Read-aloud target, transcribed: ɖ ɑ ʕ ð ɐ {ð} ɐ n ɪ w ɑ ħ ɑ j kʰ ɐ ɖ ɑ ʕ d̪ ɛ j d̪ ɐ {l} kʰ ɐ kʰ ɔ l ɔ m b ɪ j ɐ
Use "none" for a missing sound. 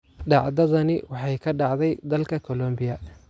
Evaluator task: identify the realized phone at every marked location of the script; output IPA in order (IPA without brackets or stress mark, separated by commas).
ð, l